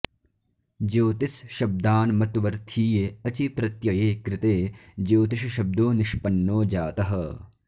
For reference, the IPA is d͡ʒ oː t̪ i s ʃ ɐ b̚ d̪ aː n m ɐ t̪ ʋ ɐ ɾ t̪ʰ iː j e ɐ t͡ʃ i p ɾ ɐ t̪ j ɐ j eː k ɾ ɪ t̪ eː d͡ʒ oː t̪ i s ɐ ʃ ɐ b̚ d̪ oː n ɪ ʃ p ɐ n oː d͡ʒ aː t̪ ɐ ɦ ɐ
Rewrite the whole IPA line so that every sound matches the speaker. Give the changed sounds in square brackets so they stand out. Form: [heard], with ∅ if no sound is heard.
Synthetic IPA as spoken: d͡ʒ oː t̪ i s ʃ ɐ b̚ d̪ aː n m ɐ t̪ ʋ ɐ ɾ t̪ʰ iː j e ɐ t͡ʃ i p ɾ ɐ t̪ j ɐ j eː k ɾ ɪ t̪ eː d͡ʒ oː t̪ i [ʃ] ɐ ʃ ɐ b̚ d̪ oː n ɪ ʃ p ɐ [nː] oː d͡ʒ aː t̪ ɐ ɦ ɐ